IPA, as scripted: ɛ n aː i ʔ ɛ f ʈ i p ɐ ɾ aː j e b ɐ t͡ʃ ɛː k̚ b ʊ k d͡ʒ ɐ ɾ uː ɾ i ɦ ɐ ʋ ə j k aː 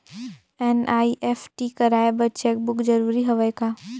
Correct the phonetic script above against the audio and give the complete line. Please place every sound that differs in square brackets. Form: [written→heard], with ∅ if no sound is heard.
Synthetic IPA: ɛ n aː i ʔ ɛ f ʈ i [p→k] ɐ ɾ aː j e b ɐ t͡ʃ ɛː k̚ b ʊ k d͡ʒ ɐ ɾ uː ɾ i ɦ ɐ ʋ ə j k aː